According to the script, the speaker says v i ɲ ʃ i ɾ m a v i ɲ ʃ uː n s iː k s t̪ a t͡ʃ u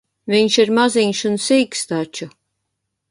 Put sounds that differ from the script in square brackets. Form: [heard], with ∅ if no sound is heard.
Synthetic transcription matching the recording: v i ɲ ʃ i ɾ m a [z] i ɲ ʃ [u] n s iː k s t̪ a t͡ʃ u